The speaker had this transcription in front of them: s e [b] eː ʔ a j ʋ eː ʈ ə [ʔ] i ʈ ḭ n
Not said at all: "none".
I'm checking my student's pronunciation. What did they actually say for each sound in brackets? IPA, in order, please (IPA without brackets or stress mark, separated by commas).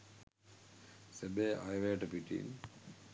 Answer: b, p